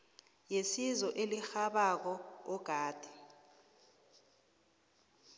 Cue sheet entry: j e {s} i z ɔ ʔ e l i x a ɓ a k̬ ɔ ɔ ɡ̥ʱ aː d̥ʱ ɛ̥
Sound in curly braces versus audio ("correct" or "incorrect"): correct